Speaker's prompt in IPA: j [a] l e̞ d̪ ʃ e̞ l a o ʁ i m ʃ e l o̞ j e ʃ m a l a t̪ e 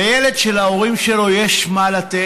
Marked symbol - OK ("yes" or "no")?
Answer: no